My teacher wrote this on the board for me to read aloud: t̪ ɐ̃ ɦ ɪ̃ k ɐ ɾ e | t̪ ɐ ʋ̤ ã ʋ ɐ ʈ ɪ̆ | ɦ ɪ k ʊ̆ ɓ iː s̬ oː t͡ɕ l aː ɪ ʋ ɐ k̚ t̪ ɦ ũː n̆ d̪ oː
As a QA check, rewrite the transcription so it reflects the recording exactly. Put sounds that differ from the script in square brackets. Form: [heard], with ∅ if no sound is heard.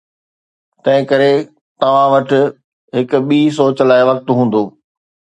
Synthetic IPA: t̪ ɐ̃ ɦ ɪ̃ k ɐ ɾ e | t̪ ɐ ʋ̤ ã ʋ ɐ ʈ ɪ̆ | ɦ ɪ k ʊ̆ ɓ iː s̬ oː t͡ɕ l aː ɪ ʋ ɐ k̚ t̪ ɦ ũː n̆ d̪ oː